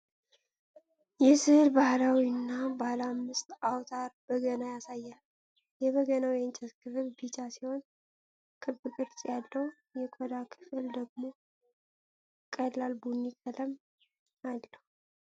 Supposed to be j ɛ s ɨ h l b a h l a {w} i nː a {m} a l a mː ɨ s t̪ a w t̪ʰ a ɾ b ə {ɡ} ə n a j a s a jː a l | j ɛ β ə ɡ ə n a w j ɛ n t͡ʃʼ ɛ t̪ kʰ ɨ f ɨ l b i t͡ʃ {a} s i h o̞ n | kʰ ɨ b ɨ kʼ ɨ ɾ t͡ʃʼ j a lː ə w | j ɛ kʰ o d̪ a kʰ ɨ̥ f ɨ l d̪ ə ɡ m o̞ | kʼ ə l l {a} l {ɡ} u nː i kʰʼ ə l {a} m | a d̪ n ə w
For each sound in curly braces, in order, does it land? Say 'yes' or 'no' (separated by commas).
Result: yes, no, yes, yes, yes, no, no